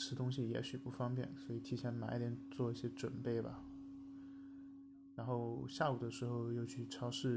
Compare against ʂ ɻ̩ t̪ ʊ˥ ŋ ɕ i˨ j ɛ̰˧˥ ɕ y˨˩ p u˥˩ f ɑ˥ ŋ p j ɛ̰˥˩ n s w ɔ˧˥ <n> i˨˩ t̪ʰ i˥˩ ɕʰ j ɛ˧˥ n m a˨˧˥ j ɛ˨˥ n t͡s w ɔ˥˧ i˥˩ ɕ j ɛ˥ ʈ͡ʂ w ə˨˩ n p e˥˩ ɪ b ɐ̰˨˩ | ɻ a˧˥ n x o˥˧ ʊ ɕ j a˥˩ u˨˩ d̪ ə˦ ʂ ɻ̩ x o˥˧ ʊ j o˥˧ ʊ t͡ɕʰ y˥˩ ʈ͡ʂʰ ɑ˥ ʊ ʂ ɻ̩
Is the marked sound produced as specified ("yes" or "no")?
no